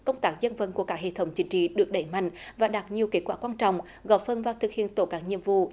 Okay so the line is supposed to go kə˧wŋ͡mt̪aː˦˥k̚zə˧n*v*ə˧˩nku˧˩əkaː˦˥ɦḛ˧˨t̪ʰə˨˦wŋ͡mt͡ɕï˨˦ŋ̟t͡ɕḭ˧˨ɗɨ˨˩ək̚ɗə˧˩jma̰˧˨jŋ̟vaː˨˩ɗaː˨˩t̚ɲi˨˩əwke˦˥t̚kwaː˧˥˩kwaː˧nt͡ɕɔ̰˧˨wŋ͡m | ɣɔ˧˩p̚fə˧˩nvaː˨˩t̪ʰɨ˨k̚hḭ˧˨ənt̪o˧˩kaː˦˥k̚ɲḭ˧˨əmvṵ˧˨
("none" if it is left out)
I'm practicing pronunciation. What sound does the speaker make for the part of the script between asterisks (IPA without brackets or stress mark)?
v